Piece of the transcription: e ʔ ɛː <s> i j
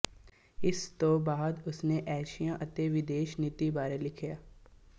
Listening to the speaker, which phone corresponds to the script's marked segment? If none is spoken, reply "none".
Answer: ʃ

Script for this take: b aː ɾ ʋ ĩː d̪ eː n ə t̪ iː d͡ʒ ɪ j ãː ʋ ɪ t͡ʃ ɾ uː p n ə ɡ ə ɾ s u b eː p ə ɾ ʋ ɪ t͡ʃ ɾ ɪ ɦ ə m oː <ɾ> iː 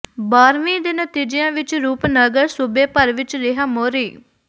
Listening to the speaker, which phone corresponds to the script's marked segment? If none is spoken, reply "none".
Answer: ɾ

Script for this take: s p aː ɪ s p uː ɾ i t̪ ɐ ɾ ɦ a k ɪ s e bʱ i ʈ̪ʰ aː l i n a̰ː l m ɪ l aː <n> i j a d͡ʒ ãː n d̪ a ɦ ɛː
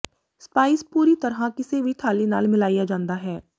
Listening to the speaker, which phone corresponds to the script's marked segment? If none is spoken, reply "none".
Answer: none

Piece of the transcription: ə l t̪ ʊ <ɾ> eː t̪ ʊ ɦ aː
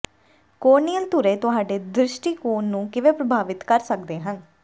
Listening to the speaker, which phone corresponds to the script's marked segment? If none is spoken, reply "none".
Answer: ɾ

